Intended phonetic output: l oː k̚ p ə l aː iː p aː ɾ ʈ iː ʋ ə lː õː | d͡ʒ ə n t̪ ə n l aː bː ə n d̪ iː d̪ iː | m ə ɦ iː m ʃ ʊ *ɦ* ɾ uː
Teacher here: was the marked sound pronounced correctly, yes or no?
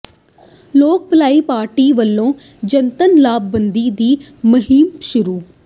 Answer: no